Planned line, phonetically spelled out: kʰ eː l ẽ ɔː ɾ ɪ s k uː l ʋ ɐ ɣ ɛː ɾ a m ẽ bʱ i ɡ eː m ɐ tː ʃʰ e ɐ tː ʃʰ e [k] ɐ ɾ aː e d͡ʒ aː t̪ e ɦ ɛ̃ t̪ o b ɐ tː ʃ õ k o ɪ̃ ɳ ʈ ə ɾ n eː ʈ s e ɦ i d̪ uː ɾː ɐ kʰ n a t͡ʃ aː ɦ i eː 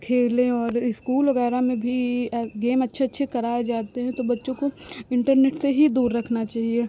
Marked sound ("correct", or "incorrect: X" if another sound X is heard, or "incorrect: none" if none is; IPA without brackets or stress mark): correct